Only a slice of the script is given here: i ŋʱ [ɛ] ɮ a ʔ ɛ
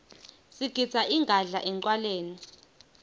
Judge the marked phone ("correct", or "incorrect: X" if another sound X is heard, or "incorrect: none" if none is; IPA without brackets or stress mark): incorrect: a